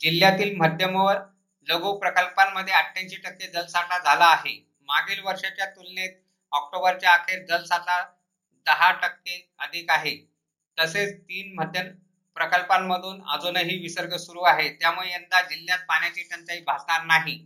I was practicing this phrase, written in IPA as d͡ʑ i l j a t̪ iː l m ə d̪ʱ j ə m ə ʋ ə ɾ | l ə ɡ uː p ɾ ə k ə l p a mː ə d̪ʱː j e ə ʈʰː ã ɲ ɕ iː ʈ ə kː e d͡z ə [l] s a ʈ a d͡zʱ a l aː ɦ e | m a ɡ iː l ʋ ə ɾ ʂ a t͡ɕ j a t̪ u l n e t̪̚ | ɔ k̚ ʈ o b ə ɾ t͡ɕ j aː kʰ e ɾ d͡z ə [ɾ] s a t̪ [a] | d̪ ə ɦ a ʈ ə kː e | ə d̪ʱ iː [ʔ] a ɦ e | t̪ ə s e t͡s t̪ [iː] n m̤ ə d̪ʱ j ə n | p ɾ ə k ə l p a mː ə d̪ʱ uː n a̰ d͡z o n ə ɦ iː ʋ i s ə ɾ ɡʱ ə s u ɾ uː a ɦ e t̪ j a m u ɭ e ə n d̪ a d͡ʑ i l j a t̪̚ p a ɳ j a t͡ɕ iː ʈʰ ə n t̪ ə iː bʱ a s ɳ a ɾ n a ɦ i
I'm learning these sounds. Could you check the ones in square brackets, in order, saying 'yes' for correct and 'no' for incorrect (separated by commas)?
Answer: yes, no, yes, no, yes